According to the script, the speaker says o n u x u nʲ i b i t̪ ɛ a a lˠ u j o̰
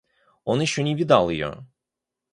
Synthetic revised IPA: o n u ʃ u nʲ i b i d̪ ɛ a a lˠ ɯ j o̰